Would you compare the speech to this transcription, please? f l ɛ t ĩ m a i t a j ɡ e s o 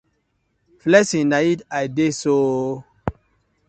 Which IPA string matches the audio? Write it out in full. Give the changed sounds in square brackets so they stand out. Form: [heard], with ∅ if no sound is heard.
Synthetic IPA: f l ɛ [s] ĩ [n] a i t a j [d] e s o